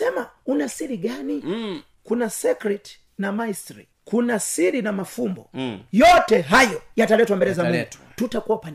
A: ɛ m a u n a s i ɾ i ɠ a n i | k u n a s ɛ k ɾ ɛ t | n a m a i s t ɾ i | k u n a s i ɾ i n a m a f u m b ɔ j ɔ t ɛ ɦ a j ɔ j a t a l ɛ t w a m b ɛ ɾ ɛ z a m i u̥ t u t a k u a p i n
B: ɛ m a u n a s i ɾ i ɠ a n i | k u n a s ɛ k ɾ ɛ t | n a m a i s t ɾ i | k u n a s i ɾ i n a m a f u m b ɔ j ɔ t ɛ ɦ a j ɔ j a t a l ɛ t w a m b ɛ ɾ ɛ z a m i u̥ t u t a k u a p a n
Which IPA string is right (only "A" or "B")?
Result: B